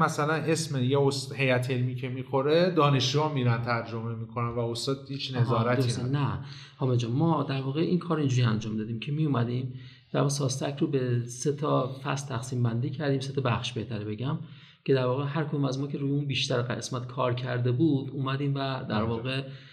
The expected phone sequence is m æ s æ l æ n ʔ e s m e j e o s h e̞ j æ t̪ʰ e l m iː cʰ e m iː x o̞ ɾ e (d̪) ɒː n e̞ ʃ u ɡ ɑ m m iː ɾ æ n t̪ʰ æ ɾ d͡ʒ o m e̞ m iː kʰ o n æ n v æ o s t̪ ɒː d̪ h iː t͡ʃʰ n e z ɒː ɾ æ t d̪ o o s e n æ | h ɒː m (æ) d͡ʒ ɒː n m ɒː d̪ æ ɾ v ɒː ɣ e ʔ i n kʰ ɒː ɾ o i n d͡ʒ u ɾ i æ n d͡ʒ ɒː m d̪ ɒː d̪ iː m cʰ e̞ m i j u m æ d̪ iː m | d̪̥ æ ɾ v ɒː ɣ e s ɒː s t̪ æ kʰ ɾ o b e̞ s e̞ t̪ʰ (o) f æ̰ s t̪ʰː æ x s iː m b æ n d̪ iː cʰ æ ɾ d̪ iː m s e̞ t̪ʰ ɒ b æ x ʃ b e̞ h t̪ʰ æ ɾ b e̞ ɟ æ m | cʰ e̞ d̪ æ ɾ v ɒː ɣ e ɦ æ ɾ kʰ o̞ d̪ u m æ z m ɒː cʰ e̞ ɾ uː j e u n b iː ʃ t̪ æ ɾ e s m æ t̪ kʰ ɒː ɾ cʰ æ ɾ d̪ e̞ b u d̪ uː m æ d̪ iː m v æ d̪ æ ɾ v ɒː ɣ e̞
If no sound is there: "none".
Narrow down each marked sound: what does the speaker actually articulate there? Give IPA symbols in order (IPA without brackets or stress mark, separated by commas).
d̪, e, ɒ